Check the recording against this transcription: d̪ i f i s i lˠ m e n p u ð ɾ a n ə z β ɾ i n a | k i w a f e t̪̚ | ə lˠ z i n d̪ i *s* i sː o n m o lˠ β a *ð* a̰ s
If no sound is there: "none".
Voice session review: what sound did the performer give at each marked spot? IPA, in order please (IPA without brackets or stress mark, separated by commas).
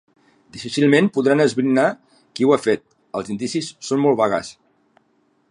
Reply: s, ɣ